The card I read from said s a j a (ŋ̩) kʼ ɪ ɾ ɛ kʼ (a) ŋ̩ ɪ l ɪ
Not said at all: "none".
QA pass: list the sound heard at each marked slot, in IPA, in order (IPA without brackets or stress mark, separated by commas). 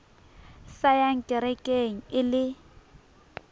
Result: ŋ̩, e